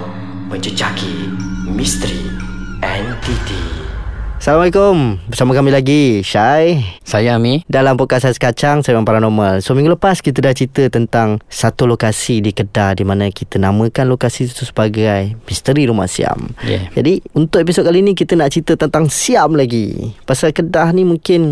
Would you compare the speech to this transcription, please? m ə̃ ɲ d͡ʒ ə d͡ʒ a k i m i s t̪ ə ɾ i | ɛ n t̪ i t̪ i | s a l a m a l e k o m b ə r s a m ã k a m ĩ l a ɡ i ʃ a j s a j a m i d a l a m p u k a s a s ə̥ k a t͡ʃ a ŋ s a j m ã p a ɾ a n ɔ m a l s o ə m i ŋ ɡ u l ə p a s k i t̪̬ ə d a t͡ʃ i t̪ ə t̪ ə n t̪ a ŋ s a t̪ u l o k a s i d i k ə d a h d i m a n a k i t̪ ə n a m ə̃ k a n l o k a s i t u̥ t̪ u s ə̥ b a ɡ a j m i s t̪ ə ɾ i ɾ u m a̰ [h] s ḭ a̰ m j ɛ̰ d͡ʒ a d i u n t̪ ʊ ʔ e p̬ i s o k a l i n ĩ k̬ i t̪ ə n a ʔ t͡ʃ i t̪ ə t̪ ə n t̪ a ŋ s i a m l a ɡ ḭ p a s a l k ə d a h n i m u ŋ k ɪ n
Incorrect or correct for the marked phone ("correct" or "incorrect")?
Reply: correct